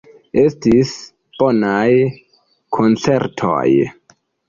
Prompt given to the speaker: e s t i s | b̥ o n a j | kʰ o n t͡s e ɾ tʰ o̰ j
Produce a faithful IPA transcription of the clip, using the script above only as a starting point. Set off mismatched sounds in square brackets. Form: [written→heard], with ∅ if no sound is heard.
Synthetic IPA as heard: e s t i s | b̥ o n a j | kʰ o n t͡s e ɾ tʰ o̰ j